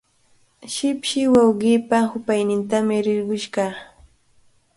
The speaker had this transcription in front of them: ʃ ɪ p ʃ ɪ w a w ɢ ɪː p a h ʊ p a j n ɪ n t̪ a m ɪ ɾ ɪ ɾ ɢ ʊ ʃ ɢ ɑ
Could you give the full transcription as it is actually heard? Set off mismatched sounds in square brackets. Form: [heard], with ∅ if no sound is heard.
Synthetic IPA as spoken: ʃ ɪ p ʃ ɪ w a w ɢ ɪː p a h ʊ p a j n ɪ n t̪ a m ɪ ɾ ɪ ɾ ɢ ʊ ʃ ɢ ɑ

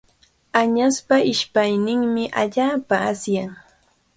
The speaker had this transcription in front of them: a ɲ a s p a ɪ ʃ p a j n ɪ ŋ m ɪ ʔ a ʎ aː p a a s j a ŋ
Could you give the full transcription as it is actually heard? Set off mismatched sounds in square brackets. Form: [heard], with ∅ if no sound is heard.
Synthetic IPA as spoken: a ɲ a s p a ɪ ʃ p a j n ɪ ŋ m ɪ ʔ a ʎ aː p a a s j a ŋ

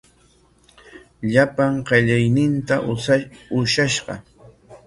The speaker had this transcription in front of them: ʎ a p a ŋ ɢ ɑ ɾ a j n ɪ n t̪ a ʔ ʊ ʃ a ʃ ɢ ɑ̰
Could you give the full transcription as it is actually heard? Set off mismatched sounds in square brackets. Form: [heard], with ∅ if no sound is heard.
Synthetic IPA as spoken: ʎ a p a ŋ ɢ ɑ [ʎ] a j n ɪ n t̪ a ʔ ʊ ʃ a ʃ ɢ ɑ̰

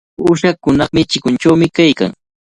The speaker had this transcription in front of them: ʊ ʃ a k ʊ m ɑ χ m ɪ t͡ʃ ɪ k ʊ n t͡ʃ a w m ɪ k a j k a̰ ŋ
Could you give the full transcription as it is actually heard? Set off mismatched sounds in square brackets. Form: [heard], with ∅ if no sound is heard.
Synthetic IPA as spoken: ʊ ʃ a k ʊ [n] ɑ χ m ɪ t͡ʃ ɪ k ʊ n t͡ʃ a w m ɪ k a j k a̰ ŋ

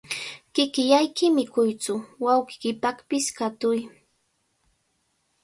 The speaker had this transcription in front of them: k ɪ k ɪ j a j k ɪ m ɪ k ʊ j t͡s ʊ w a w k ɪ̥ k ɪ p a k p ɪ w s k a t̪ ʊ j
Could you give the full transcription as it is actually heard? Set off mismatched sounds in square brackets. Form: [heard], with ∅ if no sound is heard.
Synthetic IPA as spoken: k ɪ k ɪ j a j k ɪ m ɪ k ʊ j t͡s ʊ w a w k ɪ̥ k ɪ p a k p ɪ [∅] s k a t̪ ʊ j

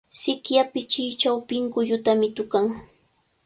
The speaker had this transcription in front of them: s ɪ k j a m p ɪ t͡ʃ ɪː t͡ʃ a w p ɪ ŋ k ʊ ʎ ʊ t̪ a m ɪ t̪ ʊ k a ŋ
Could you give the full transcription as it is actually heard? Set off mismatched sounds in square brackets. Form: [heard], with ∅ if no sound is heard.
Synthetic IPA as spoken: s ɪ k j a [∅] p ɪ t͡ʃ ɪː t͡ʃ a w p ɪ ŋ k ʊ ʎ ʊ t̪ a m ɪ t̪ ʊ k a ŋ

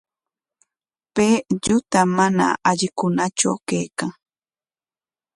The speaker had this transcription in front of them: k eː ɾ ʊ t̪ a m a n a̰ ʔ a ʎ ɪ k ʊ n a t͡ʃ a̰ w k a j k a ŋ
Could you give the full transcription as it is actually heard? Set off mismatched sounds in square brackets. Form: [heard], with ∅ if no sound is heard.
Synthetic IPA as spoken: [p] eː [ʎ] ʊ t̪ a m a n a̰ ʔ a ʎ ɪ k ʊ n a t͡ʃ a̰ w k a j k a ŋ

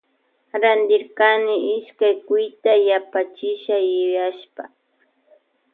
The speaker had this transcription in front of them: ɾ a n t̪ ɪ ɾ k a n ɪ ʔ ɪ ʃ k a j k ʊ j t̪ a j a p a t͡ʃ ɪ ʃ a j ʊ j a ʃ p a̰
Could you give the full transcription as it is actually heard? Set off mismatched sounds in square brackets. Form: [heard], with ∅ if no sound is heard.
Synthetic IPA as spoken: ɾ a n [d̪] ɪ ɾ k a n ɪ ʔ ɪ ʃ k a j k ʊ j t̪ a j a p a t͡ʃ ɪ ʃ a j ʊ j a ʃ p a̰

